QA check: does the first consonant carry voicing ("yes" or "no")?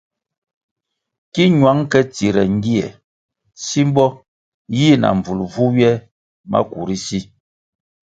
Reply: no